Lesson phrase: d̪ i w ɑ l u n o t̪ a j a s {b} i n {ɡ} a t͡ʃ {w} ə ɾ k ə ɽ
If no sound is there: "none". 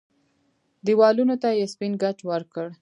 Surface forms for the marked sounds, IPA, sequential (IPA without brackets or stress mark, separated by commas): p, ɡ, w